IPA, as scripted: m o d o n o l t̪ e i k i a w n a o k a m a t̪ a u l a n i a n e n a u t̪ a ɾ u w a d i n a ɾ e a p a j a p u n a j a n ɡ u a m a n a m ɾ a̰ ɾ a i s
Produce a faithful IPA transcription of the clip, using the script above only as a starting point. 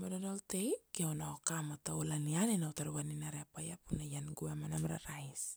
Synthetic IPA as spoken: m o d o n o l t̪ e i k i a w n a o k a m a t̪ a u l a n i a n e n a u t̪ a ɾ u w a n i n a ɾ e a p a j a p u n a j a n ɡ u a m a n a m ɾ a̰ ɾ a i s